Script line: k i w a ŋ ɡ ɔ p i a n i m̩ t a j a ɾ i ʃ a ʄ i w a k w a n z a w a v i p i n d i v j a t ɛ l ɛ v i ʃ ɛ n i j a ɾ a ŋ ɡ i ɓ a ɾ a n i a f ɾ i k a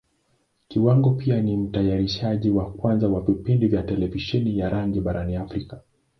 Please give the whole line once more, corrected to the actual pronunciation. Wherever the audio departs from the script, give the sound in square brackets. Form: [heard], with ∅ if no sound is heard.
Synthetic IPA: k i w a ŋ ɡ ɔ p i a n i m̩ t a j a ɾ i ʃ a ʄ i w a k w a n z a w a v i p i n d i v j a t ɛ l ɛ v i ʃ ɛ n i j a ɾ a ŋ ɡ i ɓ a ɾ a n i a f ɾ i k a